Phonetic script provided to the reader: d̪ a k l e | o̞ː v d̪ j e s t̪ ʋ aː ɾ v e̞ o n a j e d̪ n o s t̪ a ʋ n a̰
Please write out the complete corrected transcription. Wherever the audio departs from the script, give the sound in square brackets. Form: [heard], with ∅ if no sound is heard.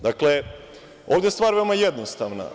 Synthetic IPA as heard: d̪ a k l e | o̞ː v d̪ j e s t̪ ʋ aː ɾ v e̞ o [m] a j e d̪ n o s t̪ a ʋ n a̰